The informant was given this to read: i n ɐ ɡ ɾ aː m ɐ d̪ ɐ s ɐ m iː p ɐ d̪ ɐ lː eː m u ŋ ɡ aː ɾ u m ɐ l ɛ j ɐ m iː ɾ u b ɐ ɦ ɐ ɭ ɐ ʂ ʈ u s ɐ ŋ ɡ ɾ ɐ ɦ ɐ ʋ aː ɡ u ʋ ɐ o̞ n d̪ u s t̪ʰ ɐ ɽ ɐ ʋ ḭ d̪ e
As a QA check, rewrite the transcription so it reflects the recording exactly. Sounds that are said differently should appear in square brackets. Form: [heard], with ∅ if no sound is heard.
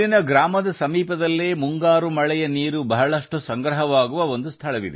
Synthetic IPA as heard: i n ɐ ɡ ɾ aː m ɐ d̪ ɐ s ɐ m iː p ɐ d̪ ɐ lː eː m u ŋ ɡ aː ɾ u m ɐ [ɭ] ɛ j ɐ [n] iː ɾ u b ɐ ɦ ɐ ɭ ɐ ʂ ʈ u s ɐ ŋ ɡ ɾ ɐ ɦ ɐ ʋ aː ɡ u ʋ ɐ o̞ n d̪ u s t̪ʰ ɐ [ɭ] ɐ ʋ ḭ d̪ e

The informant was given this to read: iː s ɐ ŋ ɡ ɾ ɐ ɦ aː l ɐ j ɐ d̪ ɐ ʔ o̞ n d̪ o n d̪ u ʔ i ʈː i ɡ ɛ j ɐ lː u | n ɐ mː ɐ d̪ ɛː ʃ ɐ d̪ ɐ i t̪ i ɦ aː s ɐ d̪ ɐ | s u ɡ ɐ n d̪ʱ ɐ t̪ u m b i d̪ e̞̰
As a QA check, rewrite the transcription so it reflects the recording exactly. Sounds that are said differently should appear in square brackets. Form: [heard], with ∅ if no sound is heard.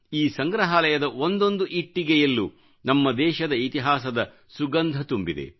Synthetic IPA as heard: iː s ɐ ŋ ɡ ɾ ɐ ɦ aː l ɐ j ɐ d̪ ɐ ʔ o̞ n d̪ o n d̪ u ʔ i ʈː i ɡ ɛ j ɐ lː u | n ɐ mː ɐ d̪ ɛː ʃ ɐ d̪ ɐ i t̪ i ɦ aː s ɐ d̪ ɐ | s u ɡ ɐ n d̪ʱ ɐ t̪ u m b i d̪ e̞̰

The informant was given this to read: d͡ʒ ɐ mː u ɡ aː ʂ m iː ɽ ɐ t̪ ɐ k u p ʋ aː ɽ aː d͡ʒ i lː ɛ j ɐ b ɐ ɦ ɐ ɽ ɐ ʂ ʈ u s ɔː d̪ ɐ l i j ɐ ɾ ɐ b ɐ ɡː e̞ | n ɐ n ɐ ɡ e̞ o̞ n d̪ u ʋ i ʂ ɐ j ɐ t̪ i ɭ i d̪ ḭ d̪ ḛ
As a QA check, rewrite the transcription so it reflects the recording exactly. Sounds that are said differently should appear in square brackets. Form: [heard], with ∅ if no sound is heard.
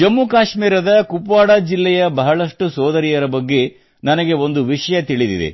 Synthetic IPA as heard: d͡ʒ ɐ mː u [k] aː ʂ m iː [ɾ] ɐ [d̪] ɐ k u p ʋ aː ɽ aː d͡ʒ i lː ɛ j ɐ b ɐ ɦ ɐ [ɭ] ɐ ʂ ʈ u s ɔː d̪ ɐ [ɾ] i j ɐ ɾ ɐ b ɐ ɡː e̞ | n ɐ n ɐ ɡ e̞ o̞ n d̪ u ʋ i ʂ ɐ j ɐ t̪ i ɭ i d̪ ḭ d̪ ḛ

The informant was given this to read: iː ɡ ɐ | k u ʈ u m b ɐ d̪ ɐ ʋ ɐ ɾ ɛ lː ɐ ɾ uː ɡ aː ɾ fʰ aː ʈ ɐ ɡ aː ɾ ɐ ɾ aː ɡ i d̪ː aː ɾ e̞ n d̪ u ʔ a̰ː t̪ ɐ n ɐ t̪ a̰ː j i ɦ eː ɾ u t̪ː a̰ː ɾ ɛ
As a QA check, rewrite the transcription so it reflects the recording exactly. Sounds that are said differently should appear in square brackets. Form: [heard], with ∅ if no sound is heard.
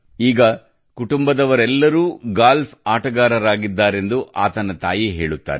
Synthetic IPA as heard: iː ɡ ɐ | k u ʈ u m b ɐ d̪ ɐ ʋ ɐ ɾ ɛ lː ɐ ɾ uː ɡ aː [l] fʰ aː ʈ ɐ ɡ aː ɾ ɐ ɾ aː ɡ i d̪ː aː ɾ e̞ n d̪ u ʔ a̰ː t̪ ɐ n ɐ t̪ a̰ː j i ɦ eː [ɭ] u t̪ː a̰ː ɾ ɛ

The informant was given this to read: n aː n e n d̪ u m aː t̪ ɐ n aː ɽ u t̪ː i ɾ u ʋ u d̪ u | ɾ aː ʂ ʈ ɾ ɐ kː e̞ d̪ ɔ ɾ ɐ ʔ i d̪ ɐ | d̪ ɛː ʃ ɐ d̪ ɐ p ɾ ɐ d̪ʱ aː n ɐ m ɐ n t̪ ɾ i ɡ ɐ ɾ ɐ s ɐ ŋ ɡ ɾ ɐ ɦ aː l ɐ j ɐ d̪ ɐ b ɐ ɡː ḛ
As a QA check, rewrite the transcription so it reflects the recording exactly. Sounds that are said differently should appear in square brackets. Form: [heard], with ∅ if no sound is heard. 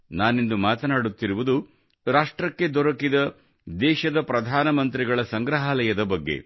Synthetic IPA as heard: n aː n e n d̪ u m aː t̪ ɐ n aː ɽ u t̪ː i ɾ u ʋ u d̪ u | ɾ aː ʂ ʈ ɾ ɐ kː e̞ d̪ ɔ ɾ ɐ [k] i d̪ ɐ | d̪ ɛː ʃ ɐ d̪ ɐ p ɾ ɐ d̪ʱ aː n ɐ m ɐ n t̪ ɾ i ɡ ɐ [ɭ] ɐ s ɐ ŋ ɡ ɾ ɐ ɦ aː l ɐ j ɐ d̪ ɐ b ɐ ɡː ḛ

